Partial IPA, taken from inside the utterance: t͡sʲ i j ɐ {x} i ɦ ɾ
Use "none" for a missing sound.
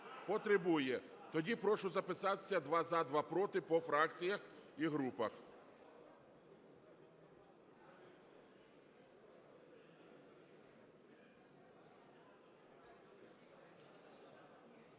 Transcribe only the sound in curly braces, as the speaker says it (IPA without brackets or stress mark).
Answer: x